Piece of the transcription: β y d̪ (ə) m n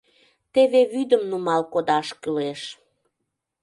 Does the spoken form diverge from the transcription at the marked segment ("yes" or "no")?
no